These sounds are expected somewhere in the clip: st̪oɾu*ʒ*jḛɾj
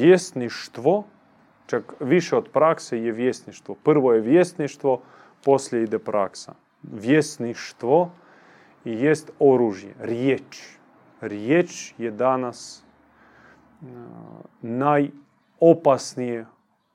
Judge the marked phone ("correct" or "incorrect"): correct